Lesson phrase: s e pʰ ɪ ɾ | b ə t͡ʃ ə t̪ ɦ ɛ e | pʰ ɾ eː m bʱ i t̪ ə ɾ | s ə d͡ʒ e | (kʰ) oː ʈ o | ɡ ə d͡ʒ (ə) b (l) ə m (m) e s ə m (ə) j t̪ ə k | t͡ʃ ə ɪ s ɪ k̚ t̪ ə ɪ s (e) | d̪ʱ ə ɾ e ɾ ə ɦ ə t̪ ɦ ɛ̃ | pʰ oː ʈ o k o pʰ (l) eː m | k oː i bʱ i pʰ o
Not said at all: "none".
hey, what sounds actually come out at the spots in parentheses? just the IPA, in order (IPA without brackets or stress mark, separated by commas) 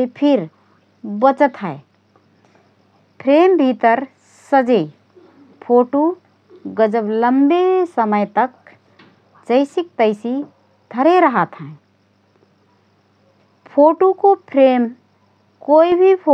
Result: pʰ, ə, l, b, ə, i, ɾ